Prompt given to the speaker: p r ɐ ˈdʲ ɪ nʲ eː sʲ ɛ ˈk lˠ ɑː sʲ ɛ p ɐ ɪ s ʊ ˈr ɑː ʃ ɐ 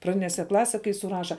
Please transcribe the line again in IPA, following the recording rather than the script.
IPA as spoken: p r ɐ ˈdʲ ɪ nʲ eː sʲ ɛ ˈk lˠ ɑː sʲ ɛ k ɐ ɪ s ʊ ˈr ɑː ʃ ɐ